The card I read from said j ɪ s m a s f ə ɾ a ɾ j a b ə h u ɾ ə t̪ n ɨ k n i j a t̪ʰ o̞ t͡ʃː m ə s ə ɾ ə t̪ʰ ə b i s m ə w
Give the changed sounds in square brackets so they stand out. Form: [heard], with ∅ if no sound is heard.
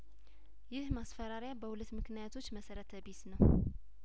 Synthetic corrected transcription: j ɪ [h] m a s f ə ɾ a ɾ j a b ə h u [l] ə t̪ [m] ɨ k n i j a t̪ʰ o̞ t͡ʃː m ə s ə ɾ ə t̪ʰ ə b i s [n] ə w